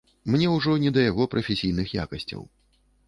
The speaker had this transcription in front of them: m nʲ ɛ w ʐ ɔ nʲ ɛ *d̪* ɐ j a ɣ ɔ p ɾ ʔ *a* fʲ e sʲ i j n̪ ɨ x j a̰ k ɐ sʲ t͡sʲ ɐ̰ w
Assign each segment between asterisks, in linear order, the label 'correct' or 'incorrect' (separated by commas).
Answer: correct, incorrect